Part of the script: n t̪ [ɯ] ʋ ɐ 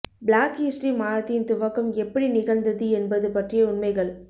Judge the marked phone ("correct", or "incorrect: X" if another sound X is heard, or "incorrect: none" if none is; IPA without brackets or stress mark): incorrect: ʊ